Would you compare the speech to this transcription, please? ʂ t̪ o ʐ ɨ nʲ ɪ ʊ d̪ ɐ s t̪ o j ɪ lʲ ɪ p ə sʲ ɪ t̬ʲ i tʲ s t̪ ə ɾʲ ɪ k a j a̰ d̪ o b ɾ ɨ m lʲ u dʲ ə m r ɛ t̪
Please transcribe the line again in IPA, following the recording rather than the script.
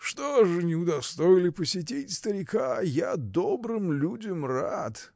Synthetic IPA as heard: ʂ t̪ o ʐ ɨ nʲ ɪ ʊ d̪ ɐ s t̪ o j ɪ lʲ ɪ p ə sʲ ɪ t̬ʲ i tʲ s t̪ ə ɾʲ ɪ k a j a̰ d̪ o b ɾ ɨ m lʲ u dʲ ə m r a t̪